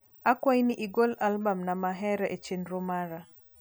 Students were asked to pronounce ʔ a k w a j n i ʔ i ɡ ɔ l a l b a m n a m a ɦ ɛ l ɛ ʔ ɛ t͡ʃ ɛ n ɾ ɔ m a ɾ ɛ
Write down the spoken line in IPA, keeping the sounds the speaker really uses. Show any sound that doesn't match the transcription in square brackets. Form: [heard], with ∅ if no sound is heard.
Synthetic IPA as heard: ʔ a k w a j n i ʔ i ɡ ɔ l a l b a m n a m a ɦ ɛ [ɾ] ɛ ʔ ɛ t͡ʃ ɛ n ɾ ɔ m a ɾ [a]